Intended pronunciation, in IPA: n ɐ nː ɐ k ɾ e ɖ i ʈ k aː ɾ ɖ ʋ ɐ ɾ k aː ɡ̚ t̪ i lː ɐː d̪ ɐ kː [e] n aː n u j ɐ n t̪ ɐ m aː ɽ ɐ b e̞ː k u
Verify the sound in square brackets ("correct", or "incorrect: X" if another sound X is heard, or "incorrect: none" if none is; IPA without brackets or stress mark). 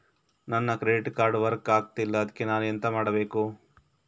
correct